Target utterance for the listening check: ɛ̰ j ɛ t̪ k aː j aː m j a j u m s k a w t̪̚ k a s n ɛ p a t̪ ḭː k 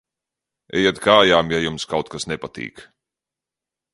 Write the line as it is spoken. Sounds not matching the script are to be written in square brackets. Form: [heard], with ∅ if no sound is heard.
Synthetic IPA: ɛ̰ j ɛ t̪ k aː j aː m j a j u m s k a w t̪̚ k a s n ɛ p a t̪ ḭː k